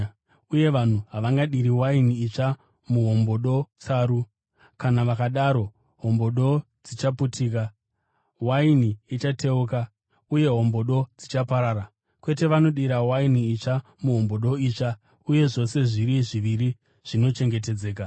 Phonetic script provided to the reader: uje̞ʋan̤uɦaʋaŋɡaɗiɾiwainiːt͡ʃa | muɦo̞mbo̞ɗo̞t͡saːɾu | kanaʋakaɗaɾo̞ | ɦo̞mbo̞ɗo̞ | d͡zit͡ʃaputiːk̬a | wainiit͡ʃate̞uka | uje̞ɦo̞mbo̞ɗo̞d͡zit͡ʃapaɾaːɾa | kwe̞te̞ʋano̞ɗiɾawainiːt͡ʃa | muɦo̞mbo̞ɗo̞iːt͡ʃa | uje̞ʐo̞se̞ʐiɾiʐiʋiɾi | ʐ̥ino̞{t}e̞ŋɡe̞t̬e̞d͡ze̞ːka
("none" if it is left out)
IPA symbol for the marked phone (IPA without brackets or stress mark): t͡ʃ